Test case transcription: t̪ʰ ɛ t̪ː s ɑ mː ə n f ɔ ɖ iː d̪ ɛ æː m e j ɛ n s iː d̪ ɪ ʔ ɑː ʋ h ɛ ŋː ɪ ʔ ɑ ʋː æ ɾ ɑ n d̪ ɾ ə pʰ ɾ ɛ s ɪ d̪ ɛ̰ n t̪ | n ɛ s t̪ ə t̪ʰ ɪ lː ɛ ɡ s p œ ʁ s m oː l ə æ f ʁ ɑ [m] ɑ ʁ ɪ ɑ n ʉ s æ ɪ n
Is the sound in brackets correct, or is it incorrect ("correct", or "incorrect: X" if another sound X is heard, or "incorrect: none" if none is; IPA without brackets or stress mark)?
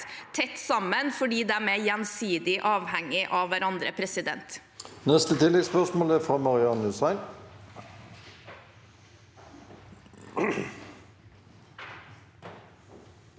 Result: correct